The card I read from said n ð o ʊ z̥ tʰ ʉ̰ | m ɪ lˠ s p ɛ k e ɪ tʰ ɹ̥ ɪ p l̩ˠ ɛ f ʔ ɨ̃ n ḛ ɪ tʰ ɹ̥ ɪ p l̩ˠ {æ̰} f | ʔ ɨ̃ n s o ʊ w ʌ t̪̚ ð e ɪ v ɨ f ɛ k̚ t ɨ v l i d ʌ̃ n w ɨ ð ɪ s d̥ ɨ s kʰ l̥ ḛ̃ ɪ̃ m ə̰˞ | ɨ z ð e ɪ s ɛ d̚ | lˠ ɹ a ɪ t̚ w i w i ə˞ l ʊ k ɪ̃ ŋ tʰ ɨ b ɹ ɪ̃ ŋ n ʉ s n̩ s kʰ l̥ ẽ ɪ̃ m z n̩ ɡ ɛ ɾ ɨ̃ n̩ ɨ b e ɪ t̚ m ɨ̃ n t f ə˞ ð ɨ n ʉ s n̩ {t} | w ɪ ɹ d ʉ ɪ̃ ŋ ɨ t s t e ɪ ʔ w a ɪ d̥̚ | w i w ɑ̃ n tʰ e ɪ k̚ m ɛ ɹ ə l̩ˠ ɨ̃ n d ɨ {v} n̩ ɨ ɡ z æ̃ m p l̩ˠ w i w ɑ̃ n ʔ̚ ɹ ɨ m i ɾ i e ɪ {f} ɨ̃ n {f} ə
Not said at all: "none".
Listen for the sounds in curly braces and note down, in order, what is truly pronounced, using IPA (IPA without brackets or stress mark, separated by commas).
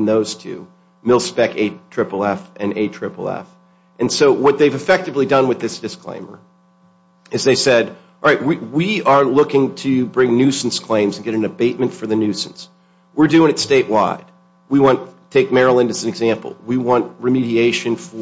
ɛ̰, s, z, ʃ, f